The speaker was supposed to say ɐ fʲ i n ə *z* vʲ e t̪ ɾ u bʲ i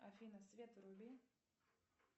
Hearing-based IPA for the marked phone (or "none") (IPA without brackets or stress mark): s